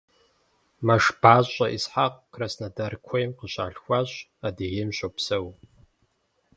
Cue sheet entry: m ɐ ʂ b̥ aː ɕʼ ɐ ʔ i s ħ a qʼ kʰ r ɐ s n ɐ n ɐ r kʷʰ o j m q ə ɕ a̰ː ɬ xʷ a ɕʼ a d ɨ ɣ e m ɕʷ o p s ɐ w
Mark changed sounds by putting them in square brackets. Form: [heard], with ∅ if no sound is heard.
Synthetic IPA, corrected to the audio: m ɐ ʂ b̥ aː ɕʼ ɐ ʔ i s ħ a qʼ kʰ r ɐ s n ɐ [d] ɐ r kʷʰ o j m q ə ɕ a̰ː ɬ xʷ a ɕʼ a d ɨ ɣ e m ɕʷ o p s ɐ w

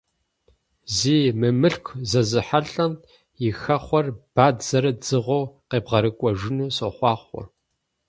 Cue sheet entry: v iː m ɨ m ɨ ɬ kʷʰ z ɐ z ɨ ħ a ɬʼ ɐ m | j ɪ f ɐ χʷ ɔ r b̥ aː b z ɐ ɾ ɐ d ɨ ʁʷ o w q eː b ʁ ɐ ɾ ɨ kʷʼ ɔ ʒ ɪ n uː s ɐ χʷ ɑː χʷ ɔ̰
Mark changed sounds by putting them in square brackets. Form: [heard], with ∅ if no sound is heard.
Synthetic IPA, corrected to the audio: [z] iː m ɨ m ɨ ɬ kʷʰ z ɐ z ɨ ħ a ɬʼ ɐ m | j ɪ [x] ɐ χʷ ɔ r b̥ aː [d] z ɐ ɾ ɐ [d͡z] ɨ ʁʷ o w q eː b ʁ ɐ ɾ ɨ kʷʼ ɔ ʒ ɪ n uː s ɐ χʷ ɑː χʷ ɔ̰

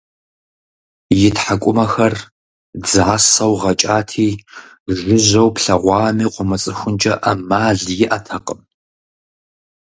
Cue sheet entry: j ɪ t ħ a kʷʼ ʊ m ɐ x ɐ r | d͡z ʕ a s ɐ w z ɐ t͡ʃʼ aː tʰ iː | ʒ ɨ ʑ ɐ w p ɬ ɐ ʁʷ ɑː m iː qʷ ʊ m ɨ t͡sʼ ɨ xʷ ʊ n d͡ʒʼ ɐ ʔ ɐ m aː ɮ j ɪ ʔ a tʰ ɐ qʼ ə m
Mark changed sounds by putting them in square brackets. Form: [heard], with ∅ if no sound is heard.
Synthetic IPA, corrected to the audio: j ɪ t ħ a kʷʼ ʊ m ɐ x ɐ r | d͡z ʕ a s ɐ w [ʁ] ɐ t͡ʃʼ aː tʰ iː | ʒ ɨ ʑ ɐ w p ɬ ɐ ʁʷ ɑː m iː qʷ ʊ m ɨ t͡sʼ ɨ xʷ ʊ n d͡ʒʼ ɐ ʔ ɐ m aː ɮ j ɪ ʔ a tʰ ɐ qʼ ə m

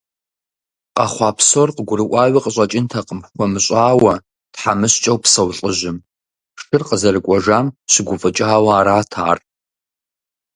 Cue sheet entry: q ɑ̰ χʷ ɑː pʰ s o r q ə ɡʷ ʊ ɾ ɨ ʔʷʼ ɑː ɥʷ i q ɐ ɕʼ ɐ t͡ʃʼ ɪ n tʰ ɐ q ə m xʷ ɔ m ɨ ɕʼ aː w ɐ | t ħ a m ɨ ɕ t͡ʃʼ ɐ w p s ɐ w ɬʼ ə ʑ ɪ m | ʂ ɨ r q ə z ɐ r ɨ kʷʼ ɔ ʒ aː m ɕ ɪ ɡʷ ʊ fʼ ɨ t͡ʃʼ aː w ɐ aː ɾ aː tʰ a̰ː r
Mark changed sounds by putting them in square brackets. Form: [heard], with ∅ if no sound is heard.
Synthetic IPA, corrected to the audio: q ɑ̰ χʷ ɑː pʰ s o r q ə ɡʷ ʊ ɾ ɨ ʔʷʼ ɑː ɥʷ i q [ə] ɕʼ ɐ t͡ʃʼ ɪ n tʰ ɐ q ə m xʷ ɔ m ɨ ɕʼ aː w ɐ | t ħ a m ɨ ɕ t͡ʃʼ ɐ w p s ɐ w ɬʼ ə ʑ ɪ m | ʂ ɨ r q ə z ɐ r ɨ kʷʼ ɔ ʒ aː m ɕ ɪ ɡʷ ʊ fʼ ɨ t͡ʃʼ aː w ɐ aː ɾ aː tʰ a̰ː r

